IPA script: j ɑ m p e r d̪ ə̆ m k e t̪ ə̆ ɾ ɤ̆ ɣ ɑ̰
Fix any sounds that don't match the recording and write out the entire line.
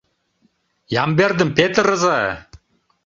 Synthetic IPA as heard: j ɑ m b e r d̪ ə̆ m p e t̪ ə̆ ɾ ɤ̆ z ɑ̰